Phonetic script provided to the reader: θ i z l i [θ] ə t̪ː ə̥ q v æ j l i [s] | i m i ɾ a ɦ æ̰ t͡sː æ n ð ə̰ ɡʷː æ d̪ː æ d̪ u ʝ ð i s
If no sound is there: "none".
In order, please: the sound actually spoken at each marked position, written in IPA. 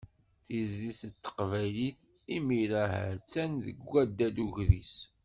s, θ

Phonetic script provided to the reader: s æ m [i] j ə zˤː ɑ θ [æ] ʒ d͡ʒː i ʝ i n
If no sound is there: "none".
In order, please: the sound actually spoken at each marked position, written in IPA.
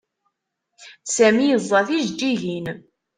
i, i

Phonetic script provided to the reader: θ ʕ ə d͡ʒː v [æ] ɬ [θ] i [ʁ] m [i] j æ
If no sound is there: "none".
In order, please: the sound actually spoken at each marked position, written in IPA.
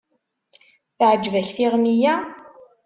æ, θ, ʁ, i

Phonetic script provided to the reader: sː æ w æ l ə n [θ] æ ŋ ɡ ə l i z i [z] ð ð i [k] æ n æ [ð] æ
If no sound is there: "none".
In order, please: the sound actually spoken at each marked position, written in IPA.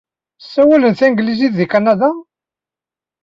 θ, none, k, ð

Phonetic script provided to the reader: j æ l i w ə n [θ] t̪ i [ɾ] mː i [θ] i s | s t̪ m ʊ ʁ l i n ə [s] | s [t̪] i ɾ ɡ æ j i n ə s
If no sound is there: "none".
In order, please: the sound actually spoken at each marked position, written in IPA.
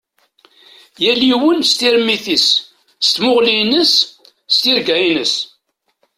s, ɾ, θ, s, t̪

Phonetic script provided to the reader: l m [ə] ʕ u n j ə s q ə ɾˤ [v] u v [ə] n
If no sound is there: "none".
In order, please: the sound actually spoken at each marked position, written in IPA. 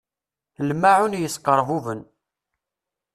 a, v, ə

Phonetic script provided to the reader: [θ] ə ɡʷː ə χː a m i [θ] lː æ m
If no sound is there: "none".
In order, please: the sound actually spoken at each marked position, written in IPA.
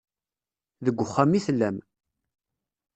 ð, θ

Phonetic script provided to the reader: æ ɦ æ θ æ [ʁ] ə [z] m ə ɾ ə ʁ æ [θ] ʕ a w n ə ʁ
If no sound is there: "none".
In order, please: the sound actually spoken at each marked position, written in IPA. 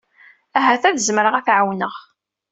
ð, z, θ

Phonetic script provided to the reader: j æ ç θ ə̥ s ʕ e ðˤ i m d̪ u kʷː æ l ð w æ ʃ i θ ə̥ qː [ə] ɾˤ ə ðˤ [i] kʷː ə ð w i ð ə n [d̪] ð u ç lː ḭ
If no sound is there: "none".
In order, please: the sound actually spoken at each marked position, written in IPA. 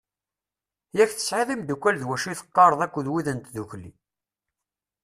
ɑ, æ, t̪

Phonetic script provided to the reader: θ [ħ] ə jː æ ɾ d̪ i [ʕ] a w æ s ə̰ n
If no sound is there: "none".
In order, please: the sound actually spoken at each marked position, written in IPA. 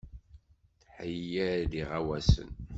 ħ, ʁ

